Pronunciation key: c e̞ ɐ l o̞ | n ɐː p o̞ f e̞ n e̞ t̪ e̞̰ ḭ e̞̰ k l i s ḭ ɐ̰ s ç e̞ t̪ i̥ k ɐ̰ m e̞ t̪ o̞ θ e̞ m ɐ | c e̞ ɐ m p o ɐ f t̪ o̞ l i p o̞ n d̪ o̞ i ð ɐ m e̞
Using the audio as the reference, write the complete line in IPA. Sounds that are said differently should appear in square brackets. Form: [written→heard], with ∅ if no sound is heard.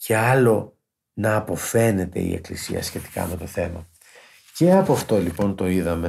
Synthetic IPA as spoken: c e̞ ɐ l o̞ | n ɐː p o̞ f e̞ n e̞ t̪ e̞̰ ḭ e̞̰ k l i s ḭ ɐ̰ s ç e̞ t̪ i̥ k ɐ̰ m e̞ t̪ o̞ θ e̞ m ɐ | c e̞ ɐ [m→∅] p o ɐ f t̪ o̞ l i p o̞ n [d̪→t̪] o̞ i ð ɐ m e̞